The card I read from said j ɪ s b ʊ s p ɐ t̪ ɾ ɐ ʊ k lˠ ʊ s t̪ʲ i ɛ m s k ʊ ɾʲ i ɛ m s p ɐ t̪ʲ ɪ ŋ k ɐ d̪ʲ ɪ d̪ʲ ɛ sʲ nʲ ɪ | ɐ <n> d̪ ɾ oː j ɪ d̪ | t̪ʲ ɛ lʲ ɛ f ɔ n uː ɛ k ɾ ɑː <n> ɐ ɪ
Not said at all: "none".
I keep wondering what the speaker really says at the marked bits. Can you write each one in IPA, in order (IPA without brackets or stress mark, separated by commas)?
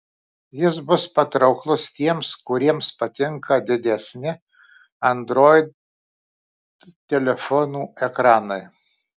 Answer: n, n